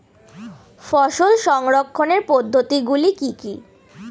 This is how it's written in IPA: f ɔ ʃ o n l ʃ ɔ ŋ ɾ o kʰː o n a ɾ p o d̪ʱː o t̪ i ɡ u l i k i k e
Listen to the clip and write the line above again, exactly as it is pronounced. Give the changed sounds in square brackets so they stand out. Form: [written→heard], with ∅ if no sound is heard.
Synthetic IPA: f ɔ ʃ o [n→∅] l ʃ ɔ ŋ ɾ o kʰː o n [a→e] ɾ p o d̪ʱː o t̪ i ɡ u l i k i k [e→i]